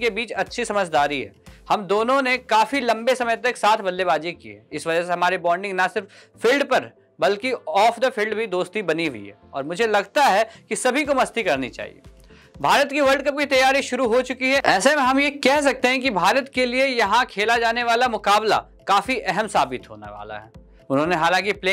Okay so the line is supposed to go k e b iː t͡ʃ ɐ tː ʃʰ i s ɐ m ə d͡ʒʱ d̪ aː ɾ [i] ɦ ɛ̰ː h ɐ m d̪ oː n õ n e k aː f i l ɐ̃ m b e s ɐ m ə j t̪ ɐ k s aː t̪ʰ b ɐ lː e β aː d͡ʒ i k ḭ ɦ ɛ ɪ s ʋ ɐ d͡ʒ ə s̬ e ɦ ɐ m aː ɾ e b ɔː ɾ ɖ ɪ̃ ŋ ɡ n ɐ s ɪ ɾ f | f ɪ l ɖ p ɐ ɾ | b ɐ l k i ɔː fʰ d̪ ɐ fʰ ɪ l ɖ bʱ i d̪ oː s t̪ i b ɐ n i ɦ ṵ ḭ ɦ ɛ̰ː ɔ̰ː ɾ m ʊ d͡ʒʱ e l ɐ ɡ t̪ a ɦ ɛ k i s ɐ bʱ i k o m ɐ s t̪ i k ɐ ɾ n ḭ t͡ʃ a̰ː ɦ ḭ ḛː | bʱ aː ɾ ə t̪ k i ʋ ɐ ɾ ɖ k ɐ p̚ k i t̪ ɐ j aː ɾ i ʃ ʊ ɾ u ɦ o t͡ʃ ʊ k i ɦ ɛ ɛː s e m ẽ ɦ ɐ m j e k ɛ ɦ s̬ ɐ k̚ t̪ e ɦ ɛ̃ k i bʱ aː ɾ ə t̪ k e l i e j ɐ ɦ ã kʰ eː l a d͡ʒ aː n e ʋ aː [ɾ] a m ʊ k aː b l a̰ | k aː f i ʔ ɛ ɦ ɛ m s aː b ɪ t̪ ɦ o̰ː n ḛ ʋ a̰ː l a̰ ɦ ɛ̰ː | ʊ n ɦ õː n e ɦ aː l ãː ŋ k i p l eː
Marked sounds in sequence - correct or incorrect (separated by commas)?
correct, incorrect